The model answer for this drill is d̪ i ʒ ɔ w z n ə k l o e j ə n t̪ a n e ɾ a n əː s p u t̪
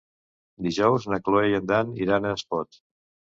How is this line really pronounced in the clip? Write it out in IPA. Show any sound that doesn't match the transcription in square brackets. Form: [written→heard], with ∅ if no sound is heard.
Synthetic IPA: d̪ i ʒ ɔ w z n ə k l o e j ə n [t̪→d̪] a n [e→i] ɾ a n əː s p [u→ɔ] t̪